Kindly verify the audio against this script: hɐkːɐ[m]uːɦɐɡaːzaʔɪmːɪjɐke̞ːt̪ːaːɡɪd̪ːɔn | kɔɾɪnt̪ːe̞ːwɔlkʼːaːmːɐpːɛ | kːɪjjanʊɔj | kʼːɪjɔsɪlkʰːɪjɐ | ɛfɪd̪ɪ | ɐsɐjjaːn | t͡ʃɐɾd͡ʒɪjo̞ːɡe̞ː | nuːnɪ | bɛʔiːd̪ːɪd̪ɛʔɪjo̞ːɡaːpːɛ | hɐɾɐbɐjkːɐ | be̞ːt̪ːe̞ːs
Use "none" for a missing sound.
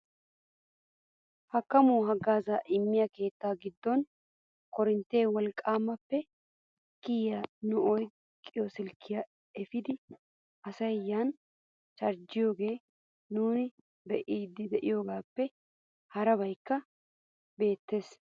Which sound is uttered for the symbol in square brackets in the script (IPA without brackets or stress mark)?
m